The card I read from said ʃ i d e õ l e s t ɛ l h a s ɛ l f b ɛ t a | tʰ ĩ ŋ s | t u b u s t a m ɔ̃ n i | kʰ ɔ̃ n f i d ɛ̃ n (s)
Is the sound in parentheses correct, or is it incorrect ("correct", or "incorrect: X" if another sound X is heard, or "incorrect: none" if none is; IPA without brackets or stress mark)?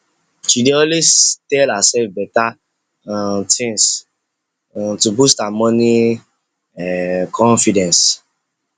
correct